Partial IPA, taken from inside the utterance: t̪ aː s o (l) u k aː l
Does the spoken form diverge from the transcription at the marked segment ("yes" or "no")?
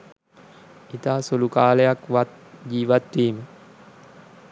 no